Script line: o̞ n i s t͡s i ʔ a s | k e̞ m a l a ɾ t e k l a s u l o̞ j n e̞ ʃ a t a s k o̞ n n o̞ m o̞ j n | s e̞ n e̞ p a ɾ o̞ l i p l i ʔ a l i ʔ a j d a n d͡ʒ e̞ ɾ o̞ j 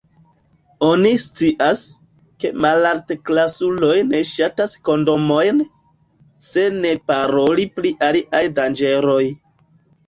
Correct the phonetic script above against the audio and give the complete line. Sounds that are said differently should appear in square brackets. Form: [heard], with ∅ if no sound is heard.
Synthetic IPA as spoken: o̞ n i s t͡s i ʔ a s | k e̞ m a l a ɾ t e k l a s u l o̞ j n e̞ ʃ a t a s k o̞ n [d] o̞ m o̞ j n | s e̞ n e̞ p a ɾ o̞ l i p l i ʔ a l i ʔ a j d a n d͡ʒ e̞ ɾ o̞ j